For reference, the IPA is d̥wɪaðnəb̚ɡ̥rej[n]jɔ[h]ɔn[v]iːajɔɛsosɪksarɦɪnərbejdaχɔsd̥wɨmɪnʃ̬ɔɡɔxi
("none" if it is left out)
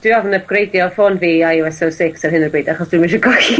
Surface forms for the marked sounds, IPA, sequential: d, f, v

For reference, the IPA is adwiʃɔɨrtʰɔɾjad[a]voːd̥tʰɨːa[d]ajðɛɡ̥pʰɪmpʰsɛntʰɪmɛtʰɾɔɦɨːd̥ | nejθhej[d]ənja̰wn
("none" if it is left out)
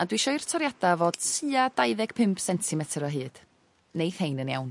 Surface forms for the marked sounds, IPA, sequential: a, d, n

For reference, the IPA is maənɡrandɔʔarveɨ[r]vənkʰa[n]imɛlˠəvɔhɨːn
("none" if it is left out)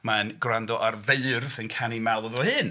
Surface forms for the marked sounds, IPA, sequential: r, n

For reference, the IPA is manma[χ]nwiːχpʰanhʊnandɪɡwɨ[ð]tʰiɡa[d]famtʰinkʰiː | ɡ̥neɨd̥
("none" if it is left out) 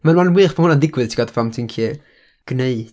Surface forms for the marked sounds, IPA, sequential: none, ð, d

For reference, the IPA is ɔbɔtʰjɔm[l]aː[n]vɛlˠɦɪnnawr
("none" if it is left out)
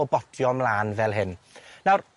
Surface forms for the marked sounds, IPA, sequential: l, n

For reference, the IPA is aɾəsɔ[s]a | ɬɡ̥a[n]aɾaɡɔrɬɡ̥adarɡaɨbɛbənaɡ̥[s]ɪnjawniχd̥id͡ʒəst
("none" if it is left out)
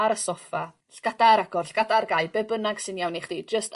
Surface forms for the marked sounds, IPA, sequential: f, d, s

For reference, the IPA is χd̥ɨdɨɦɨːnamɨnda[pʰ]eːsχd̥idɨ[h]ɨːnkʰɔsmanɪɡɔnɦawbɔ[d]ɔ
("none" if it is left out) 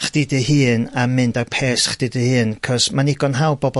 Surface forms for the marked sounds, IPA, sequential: pʰ, h, b

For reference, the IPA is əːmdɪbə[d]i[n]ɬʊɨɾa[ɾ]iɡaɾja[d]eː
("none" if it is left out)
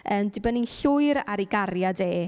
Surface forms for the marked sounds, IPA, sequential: n, n, ɾ, d

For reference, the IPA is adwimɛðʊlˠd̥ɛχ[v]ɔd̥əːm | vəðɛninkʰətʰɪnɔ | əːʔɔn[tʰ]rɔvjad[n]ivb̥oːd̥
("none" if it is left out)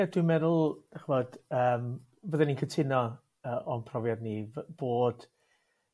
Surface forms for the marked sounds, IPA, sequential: v, pʰ, n

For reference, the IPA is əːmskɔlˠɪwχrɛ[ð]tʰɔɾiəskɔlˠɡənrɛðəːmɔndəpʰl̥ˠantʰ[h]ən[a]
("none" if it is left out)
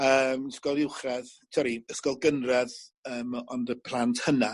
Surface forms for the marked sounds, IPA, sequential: ð, h, a

